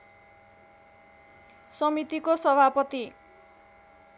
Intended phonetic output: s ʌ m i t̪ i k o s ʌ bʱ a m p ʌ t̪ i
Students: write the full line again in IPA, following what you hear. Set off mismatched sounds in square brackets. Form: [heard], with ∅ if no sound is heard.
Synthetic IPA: s ʌ m i t̪ i k o s ʌ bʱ a [∅] p ʌ t̪ i

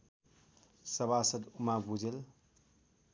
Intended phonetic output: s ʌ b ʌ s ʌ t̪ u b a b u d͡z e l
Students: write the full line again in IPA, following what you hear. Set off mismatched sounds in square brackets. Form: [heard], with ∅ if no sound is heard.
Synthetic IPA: s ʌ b [a] s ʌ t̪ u [m] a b u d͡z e l

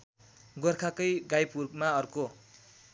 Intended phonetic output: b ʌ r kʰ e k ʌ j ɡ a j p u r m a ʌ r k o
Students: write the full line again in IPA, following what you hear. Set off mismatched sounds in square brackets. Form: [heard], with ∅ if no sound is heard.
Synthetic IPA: [ɡ] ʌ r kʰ [a] k ʌ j ɡ a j p u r m a ʌ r k o

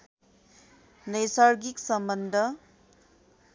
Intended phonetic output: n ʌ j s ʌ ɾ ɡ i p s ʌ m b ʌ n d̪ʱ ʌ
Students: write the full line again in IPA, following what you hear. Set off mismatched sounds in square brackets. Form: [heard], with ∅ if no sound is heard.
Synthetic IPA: n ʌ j s [a] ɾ ɡ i [k] s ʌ m b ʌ n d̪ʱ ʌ

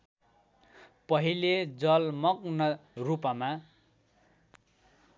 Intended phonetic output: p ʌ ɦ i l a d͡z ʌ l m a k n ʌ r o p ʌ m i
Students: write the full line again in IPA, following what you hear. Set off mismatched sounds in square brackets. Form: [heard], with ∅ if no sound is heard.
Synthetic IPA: p ʌ ɦ i l [e] d͡z ʌ l m [ʌ] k n ʌ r [u] p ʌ m [a]

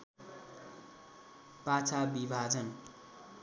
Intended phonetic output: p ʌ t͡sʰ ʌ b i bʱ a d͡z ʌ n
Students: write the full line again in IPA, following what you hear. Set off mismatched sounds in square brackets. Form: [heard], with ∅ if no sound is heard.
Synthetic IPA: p [a] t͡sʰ [a] b i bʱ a d͡z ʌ n

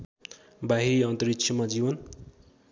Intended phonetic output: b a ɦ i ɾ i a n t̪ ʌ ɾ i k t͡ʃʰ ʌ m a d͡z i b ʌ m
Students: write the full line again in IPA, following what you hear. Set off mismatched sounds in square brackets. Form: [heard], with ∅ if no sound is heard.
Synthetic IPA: b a ɦ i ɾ i [ʌ] n t̪ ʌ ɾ i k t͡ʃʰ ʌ m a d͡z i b ʌ [n]

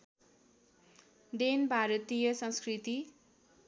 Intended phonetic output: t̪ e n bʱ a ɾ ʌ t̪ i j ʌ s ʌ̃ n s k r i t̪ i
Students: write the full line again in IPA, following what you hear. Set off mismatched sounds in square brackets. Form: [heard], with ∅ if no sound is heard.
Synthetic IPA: [d̪] e n bʱ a ɾ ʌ t̪ i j ʌ s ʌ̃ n s k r i t̪ i

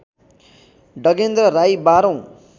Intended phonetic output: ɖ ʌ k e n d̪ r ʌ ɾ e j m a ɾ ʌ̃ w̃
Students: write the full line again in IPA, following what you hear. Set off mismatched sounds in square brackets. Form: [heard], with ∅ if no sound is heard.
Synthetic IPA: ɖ ʌ [ɡ] e n d̪ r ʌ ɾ [a] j [b] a ɾ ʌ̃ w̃

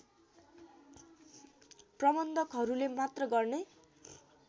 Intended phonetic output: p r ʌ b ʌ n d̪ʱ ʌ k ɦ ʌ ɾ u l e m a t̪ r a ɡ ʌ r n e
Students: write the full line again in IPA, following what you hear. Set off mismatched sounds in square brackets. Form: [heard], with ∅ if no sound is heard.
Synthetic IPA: p r ʌ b ʌ n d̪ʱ ʌ k ɦ ʌ ɾ u l e m a t̪ r [ʌ] ɡ ʌ r n e

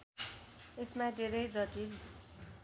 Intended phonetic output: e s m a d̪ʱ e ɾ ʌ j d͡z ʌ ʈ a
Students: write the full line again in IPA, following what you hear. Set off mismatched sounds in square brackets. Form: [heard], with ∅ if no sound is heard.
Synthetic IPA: e s m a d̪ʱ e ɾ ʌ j d͡z ʌ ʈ [i]

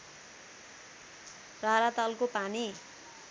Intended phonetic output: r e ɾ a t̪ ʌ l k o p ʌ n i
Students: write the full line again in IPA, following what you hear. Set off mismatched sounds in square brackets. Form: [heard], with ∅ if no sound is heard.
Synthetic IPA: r [a] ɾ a t̪ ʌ l k o p [a] n i

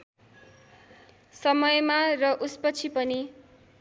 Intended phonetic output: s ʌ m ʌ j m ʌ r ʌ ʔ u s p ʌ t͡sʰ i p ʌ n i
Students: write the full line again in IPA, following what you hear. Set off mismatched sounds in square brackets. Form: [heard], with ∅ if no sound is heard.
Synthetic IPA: s ʌ m ʌ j m [a] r ʌ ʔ u s p ʌ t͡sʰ i p ʌ n i

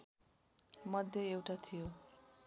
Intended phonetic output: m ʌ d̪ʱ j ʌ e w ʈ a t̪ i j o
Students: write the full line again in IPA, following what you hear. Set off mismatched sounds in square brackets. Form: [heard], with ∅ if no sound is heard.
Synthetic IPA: m ʌ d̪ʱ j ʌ e w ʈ a [t̪ʰ] i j o

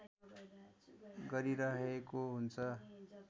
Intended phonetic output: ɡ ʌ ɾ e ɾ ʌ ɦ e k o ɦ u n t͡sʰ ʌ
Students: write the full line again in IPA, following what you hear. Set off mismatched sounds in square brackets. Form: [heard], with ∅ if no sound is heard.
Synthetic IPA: ɡ ʌ ɾ [i] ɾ ʌ ɦ e k o ɦ u n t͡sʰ ʌ

